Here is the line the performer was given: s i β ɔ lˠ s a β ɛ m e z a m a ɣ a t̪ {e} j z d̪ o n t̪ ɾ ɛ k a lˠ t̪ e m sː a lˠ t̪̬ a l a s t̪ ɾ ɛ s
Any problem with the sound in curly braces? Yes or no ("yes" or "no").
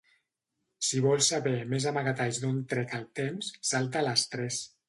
yes